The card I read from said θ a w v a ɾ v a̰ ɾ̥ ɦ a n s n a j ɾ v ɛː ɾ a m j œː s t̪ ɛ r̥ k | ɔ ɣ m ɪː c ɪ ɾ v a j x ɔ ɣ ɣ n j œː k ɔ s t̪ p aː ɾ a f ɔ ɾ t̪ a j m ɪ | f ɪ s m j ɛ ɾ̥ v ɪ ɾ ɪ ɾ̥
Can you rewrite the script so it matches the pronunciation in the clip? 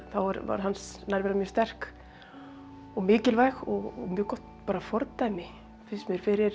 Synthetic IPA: θ a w v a ɾ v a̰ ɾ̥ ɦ a n s n a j ɾ v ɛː ɾ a m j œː s t̪ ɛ r̥ k | ɔ ɣ m ɪː c ɪ l v a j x ɔ ɣ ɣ m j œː k ɔ h t̪ p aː ɾ a f ɔ ɾ t̪ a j m ɪ | f ɪ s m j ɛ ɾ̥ f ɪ ɾ ɪ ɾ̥